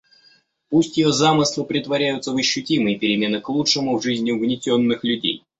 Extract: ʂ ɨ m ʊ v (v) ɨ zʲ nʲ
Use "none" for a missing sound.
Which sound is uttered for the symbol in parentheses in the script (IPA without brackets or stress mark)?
ʐ